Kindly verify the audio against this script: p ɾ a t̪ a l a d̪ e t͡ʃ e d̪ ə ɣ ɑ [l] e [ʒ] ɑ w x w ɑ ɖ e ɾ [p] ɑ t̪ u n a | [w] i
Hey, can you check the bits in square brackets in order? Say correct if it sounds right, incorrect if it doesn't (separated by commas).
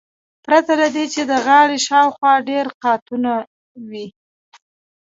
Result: incorrect, incorrect, incorrect, correct